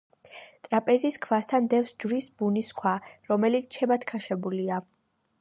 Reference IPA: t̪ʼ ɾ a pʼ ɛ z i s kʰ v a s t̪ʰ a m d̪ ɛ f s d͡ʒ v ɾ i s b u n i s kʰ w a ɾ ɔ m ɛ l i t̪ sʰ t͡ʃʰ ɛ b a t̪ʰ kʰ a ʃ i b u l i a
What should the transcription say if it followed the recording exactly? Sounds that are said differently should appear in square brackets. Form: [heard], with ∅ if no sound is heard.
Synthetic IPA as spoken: t̪ʼ ɾ a pʼ ɛ z i s kʰ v a s t̪ʰ a [n] d̪ ɛ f s d͡ʒ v ɾ i s b u n i s kʰ w a ɾ ɔ m ɛ l i t̪ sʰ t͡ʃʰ ɛ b a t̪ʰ kʰ a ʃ [ɛ] b u l i a